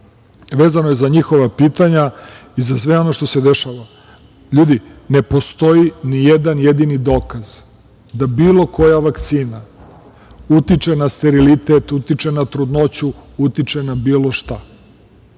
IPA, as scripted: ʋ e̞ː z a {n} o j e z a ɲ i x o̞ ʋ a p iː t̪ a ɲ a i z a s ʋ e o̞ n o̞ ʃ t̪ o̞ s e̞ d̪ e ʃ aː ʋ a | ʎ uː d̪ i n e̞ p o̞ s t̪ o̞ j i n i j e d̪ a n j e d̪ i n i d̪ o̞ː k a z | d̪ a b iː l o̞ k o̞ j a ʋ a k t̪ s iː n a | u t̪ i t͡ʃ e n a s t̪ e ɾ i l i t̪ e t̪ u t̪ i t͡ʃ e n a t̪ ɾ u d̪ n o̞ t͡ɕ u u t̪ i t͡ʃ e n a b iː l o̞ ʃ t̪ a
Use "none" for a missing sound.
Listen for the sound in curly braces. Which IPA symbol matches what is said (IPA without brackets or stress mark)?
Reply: n